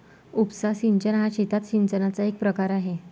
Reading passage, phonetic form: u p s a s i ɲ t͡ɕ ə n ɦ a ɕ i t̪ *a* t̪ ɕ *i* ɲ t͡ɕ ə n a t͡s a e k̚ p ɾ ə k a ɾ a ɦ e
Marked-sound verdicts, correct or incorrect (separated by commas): correct, correct